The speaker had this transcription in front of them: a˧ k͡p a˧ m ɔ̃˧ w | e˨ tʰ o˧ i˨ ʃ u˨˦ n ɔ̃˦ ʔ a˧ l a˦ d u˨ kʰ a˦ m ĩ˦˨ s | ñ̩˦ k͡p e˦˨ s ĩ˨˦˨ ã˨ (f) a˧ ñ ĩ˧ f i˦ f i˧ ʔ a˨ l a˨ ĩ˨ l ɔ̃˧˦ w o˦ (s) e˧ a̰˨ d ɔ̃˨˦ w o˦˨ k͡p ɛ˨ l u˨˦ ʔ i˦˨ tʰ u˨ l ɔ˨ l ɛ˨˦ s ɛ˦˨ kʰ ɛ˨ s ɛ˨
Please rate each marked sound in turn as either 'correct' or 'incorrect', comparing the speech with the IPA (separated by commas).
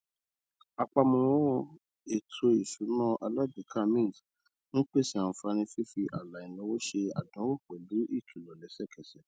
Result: correct, incorrect